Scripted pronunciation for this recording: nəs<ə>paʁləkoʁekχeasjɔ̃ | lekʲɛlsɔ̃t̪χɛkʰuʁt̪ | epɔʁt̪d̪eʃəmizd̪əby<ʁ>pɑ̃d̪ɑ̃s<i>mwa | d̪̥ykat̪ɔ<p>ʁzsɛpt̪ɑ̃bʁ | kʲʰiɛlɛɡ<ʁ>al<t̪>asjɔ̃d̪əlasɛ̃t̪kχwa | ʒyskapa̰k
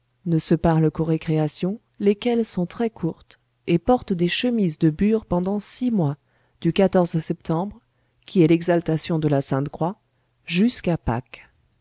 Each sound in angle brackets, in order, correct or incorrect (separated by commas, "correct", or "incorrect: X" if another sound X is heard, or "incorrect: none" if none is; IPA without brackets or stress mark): correct, correct, correct, incorrect: none, incorrect: z, correct